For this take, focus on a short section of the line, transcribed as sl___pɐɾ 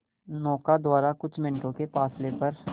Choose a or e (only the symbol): e